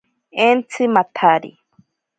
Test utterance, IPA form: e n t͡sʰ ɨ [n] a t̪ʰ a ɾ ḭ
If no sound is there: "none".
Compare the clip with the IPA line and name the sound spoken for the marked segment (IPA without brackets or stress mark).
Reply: m